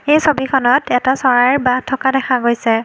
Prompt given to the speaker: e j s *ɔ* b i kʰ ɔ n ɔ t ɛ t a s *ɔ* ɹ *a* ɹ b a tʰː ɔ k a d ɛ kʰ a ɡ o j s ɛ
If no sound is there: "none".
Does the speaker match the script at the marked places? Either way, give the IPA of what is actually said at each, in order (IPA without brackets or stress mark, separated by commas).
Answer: o, ɔ, a